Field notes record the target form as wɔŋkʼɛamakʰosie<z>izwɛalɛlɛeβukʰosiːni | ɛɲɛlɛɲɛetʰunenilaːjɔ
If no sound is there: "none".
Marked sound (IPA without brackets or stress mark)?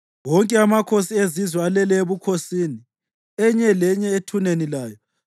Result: z